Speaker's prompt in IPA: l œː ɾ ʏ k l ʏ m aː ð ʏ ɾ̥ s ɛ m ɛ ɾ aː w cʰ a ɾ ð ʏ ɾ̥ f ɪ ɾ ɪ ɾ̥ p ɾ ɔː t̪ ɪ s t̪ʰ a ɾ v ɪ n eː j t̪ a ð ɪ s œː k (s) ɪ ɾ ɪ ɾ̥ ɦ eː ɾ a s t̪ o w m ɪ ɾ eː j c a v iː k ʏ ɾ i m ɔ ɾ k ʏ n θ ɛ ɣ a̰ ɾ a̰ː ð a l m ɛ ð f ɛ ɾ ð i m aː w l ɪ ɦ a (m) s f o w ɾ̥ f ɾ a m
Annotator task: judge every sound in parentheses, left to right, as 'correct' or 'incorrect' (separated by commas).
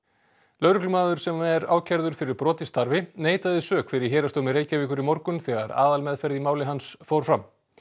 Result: incorrect, incorrect